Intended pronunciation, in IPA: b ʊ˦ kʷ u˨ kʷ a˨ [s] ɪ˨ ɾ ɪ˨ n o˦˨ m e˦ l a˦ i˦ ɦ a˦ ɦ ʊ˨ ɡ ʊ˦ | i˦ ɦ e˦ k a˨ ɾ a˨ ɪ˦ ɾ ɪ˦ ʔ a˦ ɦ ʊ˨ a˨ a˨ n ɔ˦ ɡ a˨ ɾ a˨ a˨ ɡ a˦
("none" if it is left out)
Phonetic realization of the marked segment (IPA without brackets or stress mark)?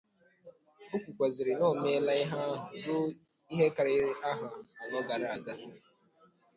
z